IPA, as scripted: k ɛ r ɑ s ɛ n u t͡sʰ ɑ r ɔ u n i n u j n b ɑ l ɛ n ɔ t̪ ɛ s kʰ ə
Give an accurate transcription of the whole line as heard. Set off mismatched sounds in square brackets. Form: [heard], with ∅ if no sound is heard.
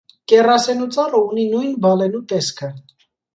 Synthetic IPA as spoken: k ɛ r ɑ s ɛ n u [t͡s] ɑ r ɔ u n i n u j n b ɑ l ɛ n [u] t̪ ɛ s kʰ ə